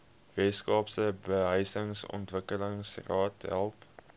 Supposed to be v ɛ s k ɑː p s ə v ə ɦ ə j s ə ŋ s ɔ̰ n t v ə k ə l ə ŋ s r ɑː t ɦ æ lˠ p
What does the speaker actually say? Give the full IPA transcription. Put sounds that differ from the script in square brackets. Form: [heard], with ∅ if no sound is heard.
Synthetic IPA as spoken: v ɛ s k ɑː p s ə [b] ə ɦ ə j s ə ŋ s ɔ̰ n t v ə k ə l ə ŋ s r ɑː t ɦ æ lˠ p